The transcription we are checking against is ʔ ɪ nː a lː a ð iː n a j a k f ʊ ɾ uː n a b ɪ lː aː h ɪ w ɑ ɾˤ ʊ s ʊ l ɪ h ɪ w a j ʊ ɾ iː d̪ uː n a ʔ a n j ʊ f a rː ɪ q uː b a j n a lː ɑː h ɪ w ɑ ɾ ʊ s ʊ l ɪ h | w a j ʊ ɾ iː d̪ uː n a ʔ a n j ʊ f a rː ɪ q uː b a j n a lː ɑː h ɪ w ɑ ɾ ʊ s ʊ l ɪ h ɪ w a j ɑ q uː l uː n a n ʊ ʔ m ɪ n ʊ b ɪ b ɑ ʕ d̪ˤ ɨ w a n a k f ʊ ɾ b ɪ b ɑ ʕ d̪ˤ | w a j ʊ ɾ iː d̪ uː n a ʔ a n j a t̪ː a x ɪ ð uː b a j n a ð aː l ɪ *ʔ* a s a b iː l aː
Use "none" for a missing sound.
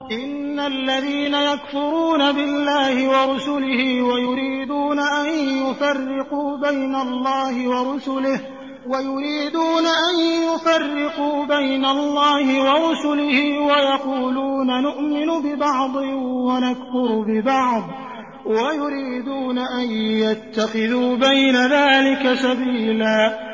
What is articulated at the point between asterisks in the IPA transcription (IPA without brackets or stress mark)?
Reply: k